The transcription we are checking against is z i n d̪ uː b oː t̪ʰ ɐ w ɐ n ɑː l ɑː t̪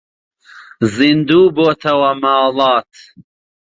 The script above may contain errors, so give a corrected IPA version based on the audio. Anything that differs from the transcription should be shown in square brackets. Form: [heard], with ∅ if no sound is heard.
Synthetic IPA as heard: z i n d̪ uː b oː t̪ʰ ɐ w ɐ [m] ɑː l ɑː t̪